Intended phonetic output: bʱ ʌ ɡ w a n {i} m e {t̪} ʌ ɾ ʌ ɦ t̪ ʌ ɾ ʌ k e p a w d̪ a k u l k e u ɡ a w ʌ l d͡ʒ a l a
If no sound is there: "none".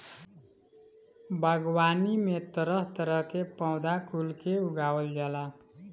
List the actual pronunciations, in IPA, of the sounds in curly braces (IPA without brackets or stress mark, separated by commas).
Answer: i, t̪